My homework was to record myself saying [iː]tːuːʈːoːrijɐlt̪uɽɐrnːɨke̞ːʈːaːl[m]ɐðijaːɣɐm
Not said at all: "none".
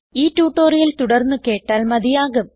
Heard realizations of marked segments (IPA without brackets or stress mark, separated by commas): iː, m